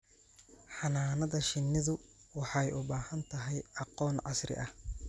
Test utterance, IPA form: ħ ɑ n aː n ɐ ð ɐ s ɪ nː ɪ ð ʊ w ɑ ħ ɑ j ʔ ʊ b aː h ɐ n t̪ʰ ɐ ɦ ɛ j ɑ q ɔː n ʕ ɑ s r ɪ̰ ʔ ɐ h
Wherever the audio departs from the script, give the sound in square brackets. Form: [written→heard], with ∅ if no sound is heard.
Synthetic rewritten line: ħ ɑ n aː n ɐ ð ɐ [s→ʃ] ɪ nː ɪ ð ʊ w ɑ ħ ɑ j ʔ ʊ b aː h ɐ n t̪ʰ ɐ ɦ ɛ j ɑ q ɔː n ʕ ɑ s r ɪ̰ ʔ ɐ h